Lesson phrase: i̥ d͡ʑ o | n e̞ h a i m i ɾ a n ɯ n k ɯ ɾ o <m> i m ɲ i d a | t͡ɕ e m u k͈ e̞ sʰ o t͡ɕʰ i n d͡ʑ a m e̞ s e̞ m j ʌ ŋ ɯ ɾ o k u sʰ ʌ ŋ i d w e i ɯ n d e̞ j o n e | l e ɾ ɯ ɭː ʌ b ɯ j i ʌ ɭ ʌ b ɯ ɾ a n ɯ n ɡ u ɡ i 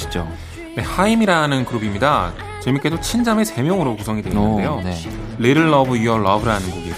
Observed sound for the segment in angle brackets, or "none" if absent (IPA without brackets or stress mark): b